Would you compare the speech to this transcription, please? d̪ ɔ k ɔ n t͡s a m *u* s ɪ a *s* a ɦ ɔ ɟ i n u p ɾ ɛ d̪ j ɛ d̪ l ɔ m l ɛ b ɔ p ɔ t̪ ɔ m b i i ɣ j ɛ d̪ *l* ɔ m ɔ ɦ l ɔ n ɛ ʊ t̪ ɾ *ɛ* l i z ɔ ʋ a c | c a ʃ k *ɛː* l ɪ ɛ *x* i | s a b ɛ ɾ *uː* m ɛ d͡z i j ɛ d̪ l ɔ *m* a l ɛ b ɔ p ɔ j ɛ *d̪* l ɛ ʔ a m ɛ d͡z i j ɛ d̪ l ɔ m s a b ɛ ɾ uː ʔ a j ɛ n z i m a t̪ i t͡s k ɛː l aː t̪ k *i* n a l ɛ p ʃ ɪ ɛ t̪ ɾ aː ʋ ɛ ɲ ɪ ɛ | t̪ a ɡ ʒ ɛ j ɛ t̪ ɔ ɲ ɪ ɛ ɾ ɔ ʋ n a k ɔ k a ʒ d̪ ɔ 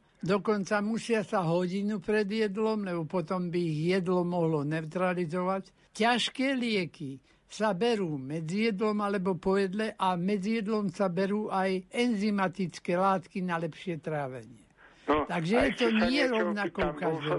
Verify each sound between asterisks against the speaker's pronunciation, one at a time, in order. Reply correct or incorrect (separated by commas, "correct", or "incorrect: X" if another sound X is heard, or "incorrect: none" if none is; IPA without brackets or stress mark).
correct, correct, correct, incorrect: a, correct, incorrect: k, correct, correct, correct, correct